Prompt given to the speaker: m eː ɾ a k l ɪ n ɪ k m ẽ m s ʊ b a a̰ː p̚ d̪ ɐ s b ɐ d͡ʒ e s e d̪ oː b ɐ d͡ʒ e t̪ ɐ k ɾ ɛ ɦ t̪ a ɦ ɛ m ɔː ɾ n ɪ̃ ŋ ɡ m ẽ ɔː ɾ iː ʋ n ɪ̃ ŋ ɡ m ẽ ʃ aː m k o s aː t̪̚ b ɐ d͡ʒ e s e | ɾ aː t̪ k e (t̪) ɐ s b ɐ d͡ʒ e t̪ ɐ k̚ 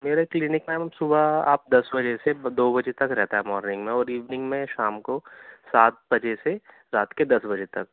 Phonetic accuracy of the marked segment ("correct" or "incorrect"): incorrect